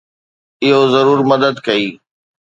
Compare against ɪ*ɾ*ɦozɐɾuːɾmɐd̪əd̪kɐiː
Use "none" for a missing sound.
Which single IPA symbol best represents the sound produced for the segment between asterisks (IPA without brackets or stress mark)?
none